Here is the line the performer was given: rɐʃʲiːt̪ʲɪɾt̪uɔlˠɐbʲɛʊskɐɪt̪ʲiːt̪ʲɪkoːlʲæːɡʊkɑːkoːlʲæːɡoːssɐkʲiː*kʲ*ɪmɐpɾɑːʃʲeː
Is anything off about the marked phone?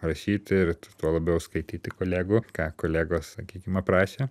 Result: no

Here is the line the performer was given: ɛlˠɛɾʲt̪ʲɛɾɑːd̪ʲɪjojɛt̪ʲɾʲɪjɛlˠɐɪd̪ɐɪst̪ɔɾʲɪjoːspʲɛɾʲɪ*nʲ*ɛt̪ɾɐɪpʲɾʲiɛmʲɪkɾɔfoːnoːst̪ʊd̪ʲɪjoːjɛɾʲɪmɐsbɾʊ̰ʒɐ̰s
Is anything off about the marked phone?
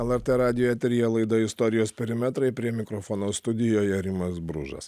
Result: yes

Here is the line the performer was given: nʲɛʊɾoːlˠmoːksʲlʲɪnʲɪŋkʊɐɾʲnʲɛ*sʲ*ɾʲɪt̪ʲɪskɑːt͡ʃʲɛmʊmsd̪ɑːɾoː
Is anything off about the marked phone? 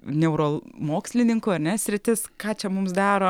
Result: no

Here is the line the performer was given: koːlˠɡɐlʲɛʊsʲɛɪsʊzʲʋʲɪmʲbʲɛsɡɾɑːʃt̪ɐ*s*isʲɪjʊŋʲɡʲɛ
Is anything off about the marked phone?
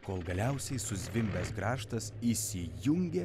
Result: no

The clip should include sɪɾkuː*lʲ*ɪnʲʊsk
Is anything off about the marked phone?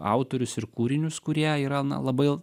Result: yes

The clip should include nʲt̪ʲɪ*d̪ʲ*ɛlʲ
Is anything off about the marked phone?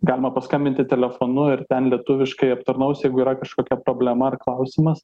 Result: yes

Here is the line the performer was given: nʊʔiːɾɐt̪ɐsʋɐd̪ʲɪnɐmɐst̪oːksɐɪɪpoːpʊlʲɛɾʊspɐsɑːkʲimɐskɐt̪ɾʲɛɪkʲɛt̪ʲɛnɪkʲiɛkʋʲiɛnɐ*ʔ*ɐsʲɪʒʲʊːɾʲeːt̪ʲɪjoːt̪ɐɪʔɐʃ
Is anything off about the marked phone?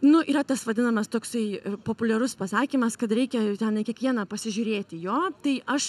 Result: yes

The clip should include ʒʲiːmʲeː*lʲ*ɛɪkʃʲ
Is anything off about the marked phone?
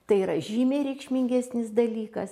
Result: yes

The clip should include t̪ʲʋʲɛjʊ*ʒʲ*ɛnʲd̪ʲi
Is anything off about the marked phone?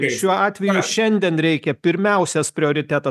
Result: yes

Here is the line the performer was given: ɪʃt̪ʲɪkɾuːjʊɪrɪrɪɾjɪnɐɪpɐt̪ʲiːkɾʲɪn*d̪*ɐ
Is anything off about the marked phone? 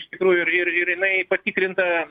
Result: yes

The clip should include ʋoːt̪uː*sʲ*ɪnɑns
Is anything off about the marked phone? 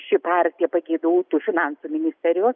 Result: yes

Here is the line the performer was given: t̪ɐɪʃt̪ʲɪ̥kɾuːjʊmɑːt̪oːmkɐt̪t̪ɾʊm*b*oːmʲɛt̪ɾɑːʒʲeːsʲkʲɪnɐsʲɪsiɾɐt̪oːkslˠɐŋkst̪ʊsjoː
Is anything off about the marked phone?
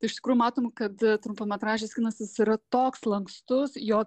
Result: yes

